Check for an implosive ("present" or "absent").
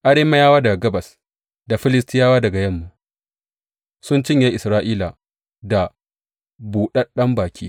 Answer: present